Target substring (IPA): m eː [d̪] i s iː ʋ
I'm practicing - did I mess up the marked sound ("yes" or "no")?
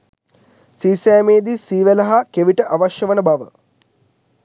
no